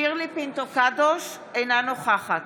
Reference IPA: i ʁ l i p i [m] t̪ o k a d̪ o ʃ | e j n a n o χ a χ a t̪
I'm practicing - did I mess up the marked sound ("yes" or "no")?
yes